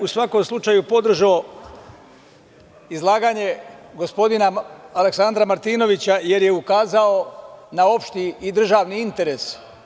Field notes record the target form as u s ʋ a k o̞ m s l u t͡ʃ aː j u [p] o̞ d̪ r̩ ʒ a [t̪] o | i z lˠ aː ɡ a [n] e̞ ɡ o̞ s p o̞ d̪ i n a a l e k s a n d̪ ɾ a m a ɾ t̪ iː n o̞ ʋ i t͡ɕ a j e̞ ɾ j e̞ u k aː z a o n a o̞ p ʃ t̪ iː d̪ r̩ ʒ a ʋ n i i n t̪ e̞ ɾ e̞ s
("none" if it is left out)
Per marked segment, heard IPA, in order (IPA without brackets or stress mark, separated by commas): p, none, ɲ